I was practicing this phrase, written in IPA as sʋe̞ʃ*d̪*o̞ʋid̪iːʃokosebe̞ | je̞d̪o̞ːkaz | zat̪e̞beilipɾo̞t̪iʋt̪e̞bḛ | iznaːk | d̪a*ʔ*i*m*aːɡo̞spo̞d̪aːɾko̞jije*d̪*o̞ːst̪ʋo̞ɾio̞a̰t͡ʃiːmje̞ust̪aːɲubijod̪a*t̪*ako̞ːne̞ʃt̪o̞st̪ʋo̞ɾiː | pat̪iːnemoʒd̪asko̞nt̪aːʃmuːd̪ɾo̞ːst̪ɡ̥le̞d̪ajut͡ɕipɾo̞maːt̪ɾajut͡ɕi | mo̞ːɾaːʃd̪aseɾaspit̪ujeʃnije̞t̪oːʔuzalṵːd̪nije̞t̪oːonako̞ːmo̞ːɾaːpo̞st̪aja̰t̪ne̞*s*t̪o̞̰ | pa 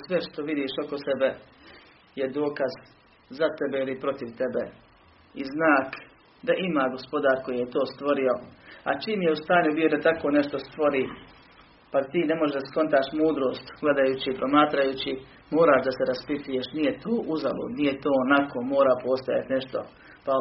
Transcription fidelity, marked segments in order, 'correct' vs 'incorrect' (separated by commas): incorrect, correct, correct, incorrect, correct, incorrect